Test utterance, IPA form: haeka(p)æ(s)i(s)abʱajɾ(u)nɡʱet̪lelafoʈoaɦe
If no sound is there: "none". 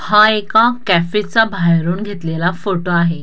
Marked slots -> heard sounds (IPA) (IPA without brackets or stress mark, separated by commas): k, f, t͡s, uː